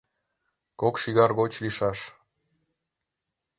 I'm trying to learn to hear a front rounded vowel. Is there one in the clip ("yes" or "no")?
no